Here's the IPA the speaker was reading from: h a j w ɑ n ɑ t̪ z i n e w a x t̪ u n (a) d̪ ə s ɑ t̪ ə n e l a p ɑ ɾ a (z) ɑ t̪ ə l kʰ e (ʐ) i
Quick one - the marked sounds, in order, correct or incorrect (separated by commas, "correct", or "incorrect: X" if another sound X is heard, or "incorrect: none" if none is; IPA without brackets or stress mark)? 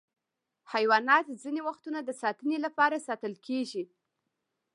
correct, incorrect: s, incorrect: ʒ